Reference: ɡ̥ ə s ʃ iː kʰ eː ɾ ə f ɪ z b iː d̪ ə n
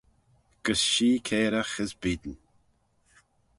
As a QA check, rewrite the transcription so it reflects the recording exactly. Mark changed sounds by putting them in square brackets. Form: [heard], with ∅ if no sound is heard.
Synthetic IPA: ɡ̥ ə s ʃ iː kʰ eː ɾ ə [x] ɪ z b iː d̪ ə n